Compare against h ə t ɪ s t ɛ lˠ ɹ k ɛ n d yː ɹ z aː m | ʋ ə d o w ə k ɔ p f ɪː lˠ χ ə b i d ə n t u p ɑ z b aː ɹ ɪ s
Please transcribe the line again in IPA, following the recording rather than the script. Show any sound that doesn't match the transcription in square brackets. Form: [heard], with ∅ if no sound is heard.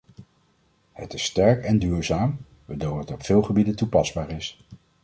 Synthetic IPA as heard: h ə t ɪ s t ɛ [∅] ɹ k ɛ n d yː ɹ z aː m | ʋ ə d o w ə [t] ɔ p f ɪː lˠ χ ə b i d ə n t u p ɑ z b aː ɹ ɪ s